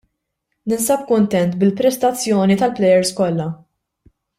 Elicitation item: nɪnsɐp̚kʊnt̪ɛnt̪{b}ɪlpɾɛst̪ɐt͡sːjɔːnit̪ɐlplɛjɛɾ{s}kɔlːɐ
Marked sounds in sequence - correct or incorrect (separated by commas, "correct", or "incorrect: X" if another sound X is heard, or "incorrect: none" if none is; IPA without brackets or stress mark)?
correct, correct